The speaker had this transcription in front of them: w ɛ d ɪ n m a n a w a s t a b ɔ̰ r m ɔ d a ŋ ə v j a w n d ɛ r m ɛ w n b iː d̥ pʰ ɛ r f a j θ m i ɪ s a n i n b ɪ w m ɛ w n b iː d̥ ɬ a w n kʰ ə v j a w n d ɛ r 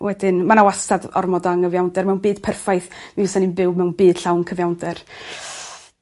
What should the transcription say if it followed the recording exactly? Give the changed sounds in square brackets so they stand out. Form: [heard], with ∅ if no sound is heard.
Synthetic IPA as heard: w ɛ d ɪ n m a n a w a s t a [d] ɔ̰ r m ɔ d a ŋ ə v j a w n d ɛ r m ɛ w n b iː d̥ pʰ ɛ r f a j θ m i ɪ s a n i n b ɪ w m ɛ w n b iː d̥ ɬ a w n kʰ ə v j a w n d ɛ r